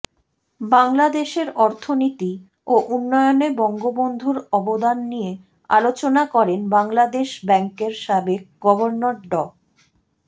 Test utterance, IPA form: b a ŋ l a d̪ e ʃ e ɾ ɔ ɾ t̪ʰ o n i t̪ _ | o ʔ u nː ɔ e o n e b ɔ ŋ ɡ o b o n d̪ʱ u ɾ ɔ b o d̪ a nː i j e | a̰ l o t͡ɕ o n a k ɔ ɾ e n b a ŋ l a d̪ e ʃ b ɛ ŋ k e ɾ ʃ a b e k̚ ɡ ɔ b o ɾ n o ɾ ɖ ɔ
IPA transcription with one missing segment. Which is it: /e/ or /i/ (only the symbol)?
i